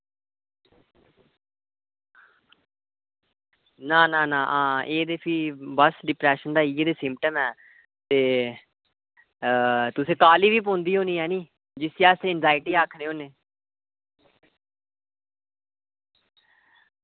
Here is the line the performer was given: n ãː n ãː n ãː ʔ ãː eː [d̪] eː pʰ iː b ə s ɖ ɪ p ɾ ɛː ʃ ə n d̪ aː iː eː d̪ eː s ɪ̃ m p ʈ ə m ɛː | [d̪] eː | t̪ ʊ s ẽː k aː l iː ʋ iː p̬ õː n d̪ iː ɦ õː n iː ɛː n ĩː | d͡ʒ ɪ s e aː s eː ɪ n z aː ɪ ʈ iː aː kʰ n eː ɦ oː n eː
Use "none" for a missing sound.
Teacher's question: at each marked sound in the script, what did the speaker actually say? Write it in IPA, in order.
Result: d̪, t̪

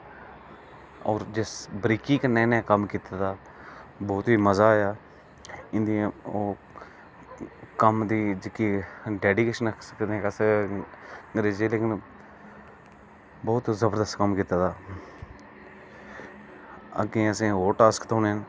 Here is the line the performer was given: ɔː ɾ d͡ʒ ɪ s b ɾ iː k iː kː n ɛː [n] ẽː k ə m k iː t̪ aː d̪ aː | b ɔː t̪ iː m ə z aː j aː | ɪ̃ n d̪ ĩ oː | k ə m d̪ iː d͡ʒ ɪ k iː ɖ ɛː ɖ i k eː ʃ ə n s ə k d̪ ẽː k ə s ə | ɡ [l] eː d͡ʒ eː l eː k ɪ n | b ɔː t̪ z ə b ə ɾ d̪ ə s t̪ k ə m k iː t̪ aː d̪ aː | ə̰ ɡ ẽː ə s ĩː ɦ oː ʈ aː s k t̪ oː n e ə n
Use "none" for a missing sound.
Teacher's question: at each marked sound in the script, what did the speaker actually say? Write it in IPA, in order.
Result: n, ɾ

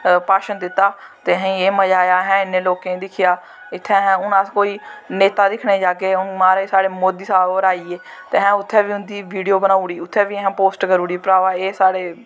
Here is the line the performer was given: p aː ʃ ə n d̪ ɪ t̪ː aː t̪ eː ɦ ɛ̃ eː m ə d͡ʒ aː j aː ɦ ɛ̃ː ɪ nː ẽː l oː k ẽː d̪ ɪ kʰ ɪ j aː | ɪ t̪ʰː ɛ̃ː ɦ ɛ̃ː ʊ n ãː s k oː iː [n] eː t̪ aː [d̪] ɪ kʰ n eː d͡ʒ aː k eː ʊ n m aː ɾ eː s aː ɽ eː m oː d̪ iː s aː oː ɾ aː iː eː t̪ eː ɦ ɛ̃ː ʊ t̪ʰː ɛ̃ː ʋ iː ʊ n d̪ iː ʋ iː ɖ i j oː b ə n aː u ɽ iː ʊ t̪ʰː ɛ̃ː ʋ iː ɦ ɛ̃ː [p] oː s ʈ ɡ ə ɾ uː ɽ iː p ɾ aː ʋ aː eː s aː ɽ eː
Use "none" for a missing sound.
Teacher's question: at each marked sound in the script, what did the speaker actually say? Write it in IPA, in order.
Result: n, d̪, p

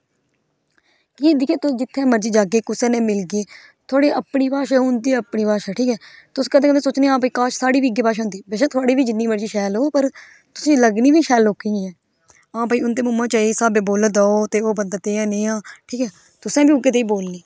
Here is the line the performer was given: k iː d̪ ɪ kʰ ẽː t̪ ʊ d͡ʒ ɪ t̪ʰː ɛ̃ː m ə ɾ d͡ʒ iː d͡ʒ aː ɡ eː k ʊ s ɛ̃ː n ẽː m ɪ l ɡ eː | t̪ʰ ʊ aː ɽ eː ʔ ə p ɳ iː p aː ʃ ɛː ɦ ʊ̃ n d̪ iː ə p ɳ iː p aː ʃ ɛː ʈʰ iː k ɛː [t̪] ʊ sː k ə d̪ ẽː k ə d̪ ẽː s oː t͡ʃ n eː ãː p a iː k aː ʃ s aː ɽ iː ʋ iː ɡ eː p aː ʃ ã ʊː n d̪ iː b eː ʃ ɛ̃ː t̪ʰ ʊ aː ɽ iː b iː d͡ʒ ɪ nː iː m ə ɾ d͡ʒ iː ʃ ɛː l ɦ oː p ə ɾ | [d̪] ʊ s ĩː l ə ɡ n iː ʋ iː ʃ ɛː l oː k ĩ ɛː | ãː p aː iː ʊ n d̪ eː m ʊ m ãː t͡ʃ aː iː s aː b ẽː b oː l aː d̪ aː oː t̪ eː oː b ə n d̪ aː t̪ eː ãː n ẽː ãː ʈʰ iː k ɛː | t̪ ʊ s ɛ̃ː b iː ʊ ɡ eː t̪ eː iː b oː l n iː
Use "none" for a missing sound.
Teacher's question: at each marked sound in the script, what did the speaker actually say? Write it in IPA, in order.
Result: t̪, t̪

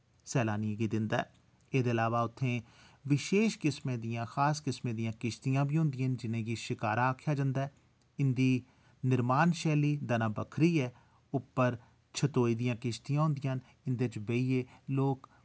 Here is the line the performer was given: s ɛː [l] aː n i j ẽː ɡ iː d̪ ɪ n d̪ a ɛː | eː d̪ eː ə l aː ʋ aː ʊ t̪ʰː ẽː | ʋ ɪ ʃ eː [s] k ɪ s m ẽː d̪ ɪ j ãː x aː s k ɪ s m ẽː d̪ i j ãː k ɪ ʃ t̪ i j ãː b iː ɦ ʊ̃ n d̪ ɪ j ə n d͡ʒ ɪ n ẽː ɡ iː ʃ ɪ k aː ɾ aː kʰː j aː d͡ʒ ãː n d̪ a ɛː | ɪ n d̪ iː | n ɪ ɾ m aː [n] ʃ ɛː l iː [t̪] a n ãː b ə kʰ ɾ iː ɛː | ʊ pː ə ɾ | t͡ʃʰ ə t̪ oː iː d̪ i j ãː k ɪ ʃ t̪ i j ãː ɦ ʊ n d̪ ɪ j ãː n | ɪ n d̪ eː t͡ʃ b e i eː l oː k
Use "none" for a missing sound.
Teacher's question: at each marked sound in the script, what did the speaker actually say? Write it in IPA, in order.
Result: l, ʃ, n, d̪

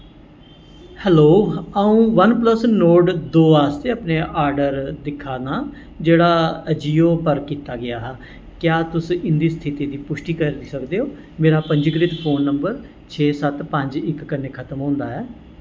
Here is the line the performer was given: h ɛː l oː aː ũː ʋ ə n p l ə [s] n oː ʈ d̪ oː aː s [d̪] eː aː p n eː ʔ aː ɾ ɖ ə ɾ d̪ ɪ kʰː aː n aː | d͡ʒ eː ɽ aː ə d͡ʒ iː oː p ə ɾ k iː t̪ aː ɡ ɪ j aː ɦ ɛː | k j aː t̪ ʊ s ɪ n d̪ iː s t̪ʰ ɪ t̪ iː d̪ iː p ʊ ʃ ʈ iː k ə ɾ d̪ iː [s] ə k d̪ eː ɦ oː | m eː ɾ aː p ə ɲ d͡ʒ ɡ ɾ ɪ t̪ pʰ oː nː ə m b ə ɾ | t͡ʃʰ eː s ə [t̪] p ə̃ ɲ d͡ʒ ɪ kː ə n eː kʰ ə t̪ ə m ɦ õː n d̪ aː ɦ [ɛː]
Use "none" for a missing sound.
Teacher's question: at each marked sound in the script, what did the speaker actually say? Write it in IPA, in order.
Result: s, t̪, s, t̪, ɛː

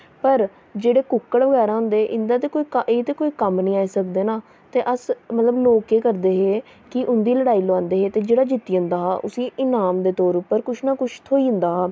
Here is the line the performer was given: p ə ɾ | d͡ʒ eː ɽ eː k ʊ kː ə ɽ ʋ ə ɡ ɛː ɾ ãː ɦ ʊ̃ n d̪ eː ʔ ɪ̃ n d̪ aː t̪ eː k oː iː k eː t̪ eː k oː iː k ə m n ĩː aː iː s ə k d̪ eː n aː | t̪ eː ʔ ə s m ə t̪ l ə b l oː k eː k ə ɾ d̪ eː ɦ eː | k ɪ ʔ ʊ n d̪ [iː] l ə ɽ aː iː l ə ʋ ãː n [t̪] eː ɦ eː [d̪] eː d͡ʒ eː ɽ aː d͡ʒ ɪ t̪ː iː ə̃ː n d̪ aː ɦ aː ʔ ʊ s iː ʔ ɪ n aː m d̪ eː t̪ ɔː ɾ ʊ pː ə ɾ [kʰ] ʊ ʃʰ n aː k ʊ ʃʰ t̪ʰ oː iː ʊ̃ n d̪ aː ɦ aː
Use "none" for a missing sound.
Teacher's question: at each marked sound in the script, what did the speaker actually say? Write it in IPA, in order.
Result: iː, d̪, t̪, k

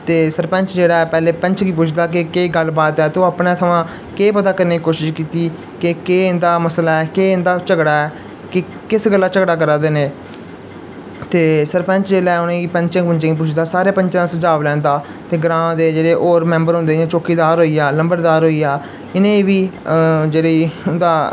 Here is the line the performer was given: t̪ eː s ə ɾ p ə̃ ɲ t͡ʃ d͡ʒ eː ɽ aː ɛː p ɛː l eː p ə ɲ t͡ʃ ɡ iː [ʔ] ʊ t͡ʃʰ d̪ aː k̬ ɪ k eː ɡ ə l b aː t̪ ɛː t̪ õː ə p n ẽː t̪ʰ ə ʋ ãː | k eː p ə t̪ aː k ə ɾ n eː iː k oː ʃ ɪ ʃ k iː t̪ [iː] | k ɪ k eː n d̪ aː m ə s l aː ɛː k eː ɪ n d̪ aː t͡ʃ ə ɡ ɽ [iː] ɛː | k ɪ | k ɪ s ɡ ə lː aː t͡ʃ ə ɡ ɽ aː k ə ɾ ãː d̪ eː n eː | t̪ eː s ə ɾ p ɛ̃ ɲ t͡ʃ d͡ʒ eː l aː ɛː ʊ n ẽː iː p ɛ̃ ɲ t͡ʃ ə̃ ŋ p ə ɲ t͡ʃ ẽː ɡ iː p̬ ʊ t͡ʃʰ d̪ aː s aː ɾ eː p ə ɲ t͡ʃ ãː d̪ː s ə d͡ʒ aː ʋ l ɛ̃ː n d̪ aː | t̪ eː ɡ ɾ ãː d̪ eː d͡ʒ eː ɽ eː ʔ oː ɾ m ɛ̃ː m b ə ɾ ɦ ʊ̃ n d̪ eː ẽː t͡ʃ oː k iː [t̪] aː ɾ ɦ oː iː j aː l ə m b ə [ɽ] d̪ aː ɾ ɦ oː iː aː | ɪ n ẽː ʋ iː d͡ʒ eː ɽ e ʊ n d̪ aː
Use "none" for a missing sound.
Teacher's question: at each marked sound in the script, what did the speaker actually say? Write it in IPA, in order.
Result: p, iː, aː, d̪, ɾ

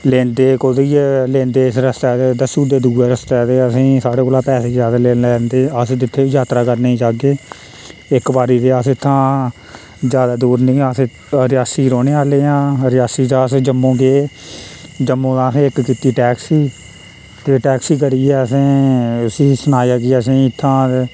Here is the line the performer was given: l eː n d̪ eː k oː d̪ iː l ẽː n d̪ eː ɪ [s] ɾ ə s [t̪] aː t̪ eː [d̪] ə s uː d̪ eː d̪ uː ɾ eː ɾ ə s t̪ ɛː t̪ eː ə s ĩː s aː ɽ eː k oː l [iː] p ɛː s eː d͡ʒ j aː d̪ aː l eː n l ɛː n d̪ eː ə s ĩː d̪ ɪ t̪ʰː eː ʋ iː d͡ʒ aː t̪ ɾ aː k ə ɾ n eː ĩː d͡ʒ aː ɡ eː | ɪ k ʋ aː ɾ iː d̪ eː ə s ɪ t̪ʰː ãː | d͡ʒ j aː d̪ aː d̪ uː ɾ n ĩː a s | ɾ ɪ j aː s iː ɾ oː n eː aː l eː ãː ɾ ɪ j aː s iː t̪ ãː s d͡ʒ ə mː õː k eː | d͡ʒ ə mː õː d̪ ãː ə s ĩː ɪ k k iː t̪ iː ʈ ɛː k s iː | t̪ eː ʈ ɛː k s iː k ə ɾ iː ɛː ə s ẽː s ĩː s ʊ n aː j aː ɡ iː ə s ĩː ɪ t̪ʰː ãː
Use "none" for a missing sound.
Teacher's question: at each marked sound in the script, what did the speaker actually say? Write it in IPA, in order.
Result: s, t̪, d̪, aː

